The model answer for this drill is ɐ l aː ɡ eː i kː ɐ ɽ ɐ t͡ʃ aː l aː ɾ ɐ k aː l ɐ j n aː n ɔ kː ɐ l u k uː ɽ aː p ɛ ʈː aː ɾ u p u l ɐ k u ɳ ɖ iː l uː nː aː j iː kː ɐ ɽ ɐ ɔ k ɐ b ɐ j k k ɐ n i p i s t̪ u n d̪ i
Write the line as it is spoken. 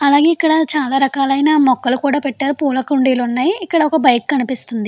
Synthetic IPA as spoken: ɐ l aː ɡ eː i kː ɐ ɽ ɐ t͡ʃ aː l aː ɾ ɐ k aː l ɐ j n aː m ɔ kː ɐ l u k uː ɽ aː p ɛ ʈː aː ɾ u p uː l ɐ k u ɳ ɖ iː l u nː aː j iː kː ɐ ɽ ɐ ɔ k ɐ b ɐ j k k ɐ n i p i s t̪ u n d̪ i